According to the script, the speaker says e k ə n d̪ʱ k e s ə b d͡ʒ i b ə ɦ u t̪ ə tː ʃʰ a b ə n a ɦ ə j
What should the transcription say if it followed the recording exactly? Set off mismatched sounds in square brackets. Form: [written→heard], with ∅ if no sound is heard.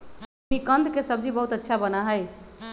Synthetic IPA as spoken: [e→i] k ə n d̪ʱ k e s ə b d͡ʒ i b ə ɦ u t̪ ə tː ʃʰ a b ə n a ɦ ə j